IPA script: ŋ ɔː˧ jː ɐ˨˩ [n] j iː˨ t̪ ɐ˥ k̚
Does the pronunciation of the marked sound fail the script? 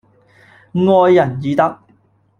no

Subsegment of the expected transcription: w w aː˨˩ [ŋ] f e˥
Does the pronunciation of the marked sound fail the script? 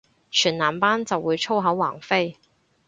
no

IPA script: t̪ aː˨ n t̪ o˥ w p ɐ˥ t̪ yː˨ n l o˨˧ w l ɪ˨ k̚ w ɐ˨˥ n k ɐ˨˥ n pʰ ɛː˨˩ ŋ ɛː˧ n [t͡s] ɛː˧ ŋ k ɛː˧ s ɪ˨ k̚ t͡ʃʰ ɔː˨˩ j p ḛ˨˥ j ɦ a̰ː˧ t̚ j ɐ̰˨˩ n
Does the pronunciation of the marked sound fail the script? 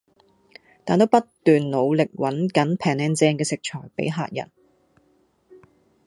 no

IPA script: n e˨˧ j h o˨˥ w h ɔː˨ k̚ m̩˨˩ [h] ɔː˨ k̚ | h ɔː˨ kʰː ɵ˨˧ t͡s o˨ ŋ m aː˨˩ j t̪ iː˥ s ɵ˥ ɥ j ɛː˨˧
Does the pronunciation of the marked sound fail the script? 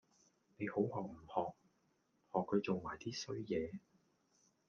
no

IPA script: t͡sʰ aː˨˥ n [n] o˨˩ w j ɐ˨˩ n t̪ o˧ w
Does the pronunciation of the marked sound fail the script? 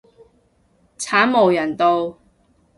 yes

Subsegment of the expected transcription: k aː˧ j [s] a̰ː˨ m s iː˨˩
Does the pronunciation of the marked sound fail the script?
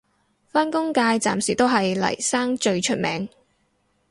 yes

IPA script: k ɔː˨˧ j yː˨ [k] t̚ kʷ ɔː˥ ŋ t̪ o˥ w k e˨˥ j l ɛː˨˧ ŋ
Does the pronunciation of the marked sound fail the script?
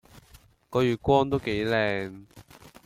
yes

